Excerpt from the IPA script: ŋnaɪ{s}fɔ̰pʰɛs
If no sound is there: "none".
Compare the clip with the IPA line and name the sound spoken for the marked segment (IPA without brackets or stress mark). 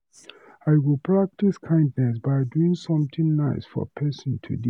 s